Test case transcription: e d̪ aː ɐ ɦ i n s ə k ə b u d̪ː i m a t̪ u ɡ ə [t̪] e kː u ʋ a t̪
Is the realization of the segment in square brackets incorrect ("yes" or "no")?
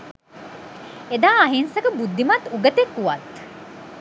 no